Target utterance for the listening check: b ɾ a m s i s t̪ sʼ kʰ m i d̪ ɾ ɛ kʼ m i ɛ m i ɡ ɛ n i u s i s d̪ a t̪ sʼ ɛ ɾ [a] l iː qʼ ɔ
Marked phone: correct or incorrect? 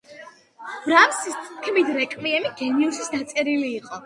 incorrect: i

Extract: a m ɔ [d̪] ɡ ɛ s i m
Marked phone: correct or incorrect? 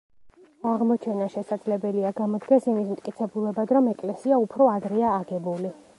correct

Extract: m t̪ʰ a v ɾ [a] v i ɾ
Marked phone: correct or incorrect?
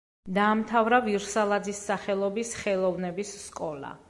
correct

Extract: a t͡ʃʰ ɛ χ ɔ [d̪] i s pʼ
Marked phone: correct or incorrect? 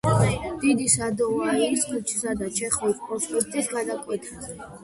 incorrect: none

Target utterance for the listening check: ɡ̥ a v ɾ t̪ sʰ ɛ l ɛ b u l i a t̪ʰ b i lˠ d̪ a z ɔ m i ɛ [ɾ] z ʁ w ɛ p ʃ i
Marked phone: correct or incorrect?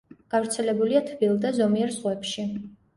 correct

